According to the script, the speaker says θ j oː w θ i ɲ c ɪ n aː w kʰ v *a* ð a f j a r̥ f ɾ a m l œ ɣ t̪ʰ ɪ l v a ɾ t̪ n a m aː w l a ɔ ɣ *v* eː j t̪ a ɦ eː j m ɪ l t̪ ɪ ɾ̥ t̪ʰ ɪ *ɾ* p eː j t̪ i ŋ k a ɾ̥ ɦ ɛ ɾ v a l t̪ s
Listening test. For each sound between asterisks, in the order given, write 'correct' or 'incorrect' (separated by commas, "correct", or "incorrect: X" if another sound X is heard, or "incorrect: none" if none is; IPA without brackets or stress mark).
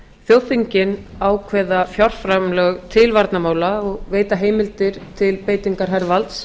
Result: incorrect: ɛ, correct, incorrect: l